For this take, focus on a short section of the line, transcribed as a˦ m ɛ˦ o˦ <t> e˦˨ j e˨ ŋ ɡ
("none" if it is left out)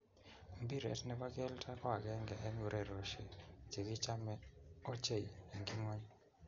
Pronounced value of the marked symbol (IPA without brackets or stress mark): t͡ʃ